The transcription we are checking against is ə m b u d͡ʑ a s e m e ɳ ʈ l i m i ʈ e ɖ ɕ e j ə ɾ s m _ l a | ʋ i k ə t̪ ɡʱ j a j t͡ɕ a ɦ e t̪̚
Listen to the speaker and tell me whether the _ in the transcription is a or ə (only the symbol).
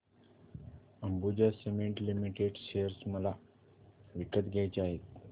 ə